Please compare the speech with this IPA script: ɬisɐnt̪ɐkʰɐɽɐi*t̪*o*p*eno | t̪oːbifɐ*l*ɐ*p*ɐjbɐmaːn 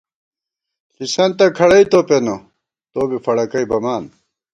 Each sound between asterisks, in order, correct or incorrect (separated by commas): correct, correct, incorrect, incorrect